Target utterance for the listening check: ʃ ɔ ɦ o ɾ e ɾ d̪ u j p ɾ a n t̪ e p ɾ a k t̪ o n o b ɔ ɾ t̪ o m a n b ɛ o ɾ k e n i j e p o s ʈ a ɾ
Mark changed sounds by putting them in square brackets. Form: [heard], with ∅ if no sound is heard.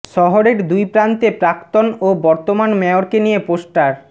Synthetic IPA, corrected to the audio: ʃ ɔ ɦ o ɾ e ɾ d̪ u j p ɾ a n t̪ e p ɾ a k t̪ o n o b ɔ ɾ t̪ o m a n [m] ɛ o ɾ k e n i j e p o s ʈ a ɾ